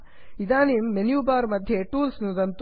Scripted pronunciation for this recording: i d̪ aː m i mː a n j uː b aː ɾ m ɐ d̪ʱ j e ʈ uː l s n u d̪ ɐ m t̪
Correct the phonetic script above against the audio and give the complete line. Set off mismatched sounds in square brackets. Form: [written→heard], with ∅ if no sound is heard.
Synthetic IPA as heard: i d̪ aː [m→n] i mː [a→e] n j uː b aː ɾ m ɐ d̪ʱ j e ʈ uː l s n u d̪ ɐ [m→n] t̪